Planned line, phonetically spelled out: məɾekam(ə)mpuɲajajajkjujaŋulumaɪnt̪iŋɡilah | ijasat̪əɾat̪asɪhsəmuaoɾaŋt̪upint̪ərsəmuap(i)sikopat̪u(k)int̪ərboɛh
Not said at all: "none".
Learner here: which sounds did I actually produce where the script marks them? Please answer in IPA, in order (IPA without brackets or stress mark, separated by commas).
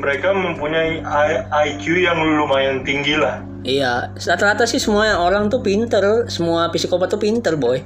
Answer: ə, i, p